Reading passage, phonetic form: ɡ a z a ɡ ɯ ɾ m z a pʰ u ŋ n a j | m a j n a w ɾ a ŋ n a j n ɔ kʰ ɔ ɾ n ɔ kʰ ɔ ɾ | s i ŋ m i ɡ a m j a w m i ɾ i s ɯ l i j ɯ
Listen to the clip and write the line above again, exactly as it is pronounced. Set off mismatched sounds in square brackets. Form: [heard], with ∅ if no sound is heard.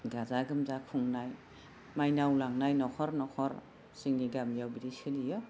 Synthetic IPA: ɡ a z a ɡ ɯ [∅] m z a [kʰ] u ŋ n a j | m a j n a w [l] a ŋ n a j n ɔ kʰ ɔ ɾ n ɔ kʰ ɔ ɾ | s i ŋ [n] i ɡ a m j a w [b] i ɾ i s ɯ l i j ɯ